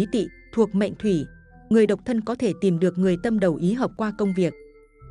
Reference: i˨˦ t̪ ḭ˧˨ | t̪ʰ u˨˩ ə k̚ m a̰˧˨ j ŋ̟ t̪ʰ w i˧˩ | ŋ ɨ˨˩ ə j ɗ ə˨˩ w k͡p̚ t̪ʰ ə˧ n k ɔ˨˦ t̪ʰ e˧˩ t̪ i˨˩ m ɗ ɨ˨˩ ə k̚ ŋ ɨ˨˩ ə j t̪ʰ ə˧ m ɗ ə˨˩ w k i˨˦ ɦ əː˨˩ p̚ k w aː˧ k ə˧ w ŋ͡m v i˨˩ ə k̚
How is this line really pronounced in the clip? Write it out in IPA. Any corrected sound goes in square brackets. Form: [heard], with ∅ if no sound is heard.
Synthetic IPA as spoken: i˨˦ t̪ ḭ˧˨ | t̪ʰ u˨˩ ə k̚ m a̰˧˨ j ŋ̟ t̪ʰ w i˧˩ | ŋ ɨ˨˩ ə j ɗ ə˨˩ w k͡p̚ t̪ʰ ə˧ n k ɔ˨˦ t̪ʰ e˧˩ t̪ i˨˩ m ɗ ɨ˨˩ ə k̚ ŋ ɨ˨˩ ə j [t̪] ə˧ m ɗ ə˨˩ w [ʔ] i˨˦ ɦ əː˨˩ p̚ k w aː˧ k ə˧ w ŋ͡m v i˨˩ ə k̚